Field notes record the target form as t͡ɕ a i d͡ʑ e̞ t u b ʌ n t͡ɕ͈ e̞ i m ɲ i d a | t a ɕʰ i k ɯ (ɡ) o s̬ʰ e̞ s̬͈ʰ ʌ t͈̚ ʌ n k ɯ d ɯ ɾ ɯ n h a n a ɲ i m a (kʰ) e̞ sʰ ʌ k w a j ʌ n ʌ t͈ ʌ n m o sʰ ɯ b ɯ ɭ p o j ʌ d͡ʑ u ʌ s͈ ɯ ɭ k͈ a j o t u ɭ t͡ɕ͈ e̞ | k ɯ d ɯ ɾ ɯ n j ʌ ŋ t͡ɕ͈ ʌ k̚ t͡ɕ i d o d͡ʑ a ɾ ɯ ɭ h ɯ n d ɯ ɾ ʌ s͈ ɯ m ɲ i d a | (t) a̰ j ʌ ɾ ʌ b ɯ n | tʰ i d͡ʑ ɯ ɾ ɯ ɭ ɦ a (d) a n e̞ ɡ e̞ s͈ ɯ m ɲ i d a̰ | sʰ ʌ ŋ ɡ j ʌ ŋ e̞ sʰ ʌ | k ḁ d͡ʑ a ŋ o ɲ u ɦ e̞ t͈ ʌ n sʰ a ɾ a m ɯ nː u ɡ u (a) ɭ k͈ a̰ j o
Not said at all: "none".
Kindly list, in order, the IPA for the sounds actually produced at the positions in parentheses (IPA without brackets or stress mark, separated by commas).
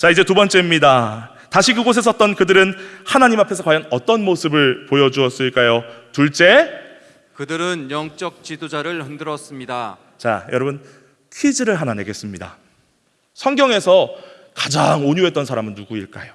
ɡ, pʰ, t͡ɕ, n, i